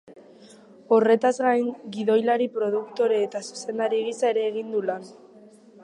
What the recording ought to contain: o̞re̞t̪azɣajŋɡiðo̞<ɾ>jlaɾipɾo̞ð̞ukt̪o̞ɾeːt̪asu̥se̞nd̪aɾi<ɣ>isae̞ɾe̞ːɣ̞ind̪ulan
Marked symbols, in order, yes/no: no, yes

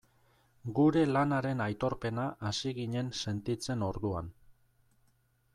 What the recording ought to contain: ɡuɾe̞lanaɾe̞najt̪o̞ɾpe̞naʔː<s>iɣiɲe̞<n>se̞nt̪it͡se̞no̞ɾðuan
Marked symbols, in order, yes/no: yes, yes

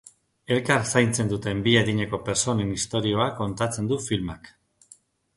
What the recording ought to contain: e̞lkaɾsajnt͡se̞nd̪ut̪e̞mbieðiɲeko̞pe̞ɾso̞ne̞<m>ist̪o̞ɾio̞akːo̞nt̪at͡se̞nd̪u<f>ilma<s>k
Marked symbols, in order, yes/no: no, yes, no

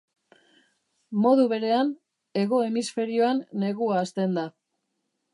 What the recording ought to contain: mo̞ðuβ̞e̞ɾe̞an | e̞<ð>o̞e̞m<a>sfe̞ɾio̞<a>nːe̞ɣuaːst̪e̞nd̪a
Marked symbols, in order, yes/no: no, no, yes

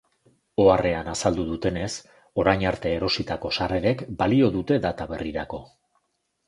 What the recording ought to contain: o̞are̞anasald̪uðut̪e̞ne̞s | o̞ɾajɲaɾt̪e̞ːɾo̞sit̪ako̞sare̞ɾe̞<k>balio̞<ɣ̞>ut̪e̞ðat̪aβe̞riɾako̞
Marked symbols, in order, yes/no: yes, no

